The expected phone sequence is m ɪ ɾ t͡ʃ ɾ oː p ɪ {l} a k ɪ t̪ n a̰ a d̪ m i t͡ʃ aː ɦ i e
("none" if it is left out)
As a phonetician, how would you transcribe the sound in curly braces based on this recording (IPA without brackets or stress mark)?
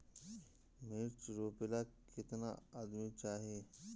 l